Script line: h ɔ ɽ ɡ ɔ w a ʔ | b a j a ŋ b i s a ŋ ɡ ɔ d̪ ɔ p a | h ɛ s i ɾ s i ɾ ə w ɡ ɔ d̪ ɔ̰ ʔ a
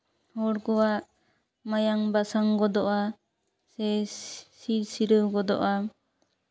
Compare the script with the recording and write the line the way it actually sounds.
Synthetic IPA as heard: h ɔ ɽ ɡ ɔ w a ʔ | m a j a ŋ b a s a ŋ ɡ ɔ d̪ ɔ ʔ a | s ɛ s i ɾ s i ɾ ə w ɡ ɔ d̪ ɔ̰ ʔ a